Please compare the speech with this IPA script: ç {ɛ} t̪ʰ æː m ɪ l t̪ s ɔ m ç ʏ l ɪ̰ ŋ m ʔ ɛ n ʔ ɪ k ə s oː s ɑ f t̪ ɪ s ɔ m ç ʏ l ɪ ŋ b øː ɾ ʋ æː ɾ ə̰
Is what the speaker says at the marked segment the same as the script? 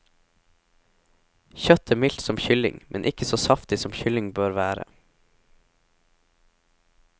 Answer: no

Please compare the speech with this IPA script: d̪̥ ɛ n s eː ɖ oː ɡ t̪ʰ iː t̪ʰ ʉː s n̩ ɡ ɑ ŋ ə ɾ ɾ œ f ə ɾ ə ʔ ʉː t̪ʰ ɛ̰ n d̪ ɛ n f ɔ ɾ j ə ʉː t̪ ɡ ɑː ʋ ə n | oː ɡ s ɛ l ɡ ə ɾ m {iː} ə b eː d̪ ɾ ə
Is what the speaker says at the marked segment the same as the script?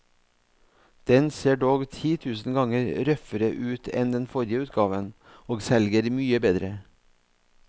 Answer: no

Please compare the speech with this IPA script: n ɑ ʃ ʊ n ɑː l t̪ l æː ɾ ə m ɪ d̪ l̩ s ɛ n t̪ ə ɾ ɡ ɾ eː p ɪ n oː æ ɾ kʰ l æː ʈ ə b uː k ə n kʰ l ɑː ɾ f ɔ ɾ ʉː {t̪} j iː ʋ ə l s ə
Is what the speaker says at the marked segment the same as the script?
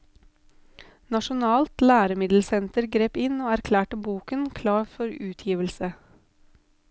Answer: no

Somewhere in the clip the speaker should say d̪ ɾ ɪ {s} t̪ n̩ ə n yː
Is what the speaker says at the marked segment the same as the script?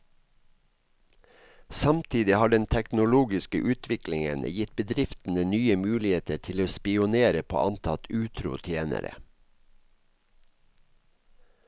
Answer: no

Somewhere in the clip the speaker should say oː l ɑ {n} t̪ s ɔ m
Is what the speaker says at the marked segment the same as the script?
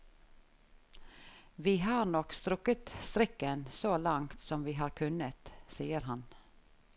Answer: no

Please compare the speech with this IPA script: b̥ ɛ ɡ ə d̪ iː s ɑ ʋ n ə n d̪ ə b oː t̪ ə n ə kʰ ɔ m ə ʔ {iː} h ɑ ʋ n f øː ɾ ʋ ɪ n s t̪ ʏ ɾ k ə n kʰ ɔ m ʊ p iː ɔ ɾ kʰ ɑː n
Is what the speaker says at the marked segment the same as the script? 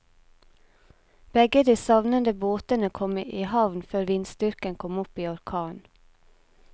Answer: yes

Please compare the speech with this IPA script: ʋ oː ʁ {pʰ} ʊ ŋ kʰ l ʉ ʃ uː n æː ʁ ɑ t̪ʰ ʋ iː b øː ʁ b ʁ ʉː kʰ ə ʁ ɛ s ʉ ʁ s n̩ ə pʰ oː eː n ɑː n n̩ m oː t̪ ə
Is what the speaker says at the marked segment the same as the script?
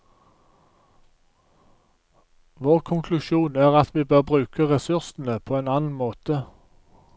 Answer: no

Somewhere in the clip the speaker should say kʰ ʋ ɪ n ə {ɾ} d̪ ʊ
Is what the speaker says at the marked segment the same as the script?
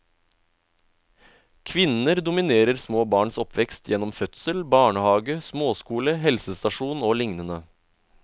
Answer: yes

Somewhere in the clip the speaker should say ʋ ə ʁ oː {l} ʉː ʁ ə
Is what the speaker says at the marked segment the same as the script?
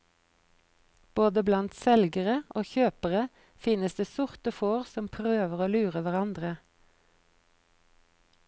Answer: yes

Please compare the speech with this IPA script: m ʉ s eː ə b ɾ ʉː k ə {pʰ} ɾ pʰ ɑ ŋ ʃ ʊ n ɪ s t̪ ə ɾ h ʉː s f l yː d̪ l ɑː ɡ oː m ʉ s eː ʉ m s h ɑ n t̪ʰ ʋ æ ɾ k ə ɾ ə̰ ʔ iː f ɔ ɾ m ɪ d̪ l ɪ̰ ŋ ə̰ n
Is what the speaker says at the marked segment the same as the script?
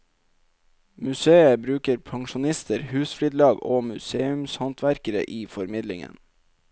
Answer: no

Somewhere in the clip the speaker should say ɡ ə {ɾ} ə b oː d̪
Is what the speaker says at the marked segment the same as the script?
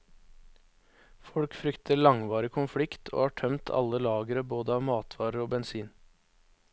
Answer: yes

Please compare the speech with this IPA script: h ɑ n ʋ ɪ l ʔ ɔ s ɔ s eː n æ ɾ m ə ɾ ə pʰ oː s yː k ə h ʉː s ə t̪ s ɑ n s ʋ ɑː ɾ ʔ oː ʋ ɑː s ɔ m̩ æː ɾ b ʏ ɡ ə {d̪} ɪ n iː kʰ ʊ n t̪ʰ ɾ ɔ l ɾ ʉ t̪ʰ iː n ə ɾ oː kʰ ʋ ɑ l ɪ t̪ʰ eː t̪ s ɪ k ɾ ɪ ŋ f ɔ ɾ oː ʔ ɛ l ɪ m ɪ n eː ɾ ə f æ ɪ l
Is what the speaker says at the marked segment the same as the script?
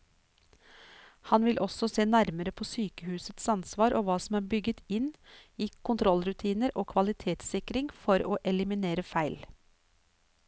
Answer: no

